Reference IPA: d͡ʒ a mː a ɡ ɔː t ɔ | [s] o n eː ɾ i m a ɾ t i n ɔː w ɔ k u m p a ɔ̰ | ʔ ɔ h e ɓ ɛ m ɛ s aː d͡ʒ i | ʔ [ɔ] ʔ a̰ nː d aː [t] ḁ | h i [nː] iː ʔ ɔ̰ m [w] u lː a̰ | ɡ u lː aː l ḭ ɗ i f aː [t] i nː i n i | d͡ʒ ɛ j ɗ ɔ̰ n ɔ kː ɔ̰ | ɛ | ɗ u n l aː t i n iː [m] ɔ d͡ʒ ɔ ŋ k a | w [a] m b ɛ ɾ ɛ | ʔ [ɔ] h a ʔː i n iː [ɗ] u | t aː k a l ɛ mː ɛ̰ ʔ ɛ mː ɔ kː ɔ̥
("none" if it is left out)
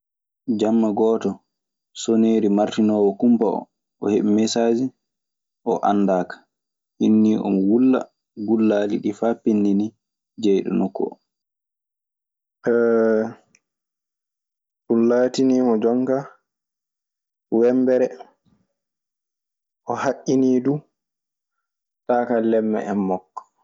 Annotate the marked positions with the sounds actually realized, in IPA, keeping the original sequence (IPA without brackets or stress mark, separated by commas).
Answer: s, ɔ, k, nː, w, p, m, ɛ, ɔ, d